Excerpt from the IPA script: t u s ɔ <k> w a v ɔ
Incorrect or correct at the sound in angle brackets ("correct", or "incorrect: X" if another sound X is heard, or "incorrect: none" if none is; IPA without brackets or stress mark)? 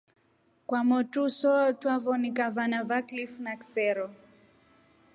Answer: incorrect: t